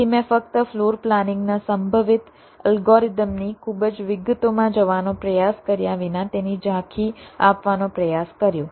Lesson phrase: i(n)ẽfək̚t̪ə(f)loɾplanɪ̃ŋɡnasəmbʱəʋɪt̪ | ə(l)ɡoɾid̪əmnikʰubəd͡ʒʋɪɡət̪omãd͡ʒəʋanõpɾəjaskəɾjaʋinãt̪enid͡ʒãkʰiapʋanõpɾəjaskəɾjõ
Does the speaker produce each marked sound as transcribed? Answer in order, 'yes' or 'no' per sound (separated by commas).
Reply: no, yes, yes